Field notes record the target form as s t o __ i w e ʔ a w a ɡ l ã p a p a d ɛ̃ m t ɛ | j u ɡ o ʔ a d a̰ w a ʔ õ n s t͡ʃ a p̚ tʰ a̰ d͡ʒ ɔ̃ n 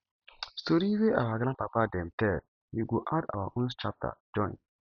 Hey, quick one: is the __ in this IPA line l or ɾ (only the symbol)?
ɾ